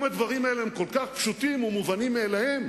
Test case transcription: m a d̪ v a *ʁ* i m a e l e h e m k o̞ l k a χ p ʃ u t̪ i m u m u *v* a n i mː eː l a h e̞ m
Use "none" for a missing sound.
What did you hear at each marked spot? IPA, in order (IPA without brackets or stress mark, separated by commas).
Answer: ʁ, v